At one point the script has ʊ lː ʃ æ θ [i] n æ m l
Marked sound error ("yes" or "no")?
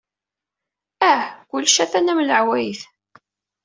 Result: yes